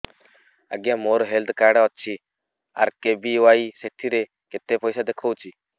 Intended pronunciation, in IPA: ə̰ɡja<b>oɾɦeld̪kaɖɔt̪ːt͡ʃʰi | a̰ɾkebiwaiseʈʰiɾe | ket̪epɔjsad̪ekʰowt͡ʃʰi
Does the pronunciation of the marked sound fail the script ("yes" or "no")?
yes